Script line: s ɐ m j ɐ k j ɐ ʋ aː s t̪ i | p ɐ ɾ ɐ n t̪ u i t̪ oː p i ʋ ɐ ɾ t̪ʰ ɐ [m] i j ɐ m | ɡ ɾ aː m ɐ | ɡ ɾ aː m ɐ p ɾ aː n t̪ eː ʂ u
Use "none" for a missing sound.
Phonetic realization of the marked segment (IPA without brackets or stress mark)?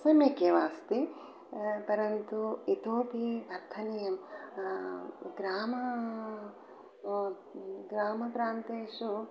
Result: n